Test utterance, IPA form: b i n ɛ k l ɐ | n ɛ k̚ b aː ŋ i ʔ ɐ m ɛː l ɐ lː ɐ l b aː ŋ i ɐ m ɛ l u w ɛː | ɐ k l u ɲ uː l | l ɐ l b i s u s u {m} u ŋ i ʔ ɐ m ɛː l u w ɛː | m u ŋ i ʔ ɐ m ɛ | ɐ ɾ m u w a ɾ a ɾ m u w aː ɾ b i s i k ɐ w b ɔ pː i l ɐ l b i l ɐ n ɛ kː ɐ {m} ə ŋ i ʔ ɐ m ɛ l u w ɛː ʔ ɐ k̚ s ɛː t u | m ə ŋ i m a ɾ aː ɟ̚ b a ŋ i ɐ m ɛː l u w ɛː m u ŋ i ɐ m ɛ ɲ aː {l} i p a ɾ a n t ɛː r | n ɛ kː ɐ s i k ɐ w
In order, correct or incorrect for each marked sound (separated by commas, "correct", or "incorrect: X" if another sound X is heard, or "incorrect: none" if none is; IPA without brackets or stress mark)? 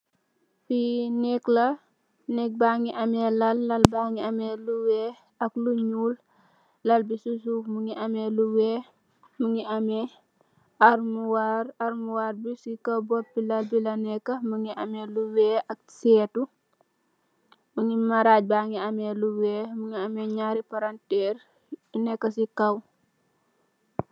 correct, correct, incorrect: ɾ